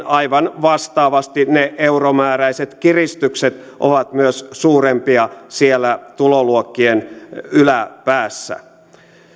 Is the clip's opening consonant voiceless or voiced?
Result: voiced